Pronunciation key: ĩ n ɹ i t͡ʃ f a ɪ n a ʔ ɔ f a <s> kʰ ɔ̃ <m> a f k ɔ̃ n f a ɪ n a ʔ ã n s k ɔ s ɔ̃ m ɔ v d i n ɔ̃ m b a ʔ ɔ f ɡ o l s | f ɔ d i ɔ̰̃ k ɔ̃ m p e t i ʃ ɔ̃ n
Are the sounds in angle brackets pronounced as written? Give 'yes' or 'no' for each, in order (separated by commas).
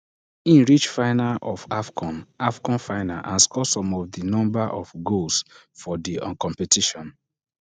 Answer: no, no